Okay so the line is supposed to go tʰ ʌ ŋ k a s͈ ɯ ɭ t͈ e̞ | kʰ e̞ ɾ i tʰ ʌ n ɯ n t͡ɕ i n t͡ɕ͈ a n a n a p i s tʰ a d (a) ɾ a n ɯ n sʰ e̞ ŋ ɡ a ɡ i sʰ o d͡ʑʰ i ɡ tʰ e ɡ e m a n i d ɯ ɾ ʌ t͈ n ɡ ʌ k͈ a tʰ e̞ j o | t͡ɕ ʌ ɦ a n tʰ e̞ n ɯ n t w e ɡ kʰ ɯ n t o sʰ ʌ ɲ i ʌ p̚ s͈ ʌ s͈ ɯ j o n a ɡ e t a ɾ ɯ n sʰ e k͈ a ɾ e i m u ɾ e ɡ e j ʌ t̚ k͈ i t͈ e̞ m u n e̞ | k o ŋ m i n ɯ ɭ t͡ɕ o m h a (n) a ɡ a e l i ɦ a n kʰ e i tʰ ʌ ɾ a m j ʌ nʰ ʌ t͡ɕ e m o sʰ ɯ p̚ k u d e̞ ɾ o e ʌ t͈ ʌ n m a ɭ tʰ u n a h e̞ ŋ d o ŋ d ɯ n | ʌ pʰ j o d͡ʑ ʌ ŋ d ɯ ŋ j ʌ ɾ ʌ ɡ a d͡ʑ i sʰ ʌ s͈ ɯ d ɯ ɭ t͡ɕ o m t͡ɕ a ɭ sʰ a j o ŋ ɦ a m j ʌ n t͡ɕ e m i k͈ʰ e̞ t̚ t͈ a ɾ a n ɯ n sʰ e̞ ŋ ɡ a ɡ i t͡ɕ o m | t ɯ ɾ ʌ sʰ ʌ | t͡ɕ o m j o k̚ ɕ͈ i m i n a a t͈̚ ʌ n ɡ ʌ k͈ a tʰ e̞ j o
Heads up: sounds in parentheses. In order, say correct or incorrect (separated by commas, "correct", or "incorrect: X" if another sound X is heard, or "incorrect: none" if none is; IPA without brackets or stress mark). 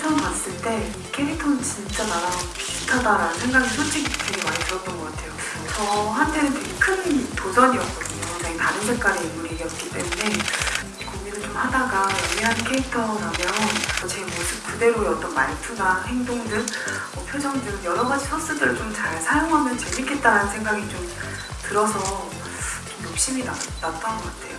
correct, incorrect: d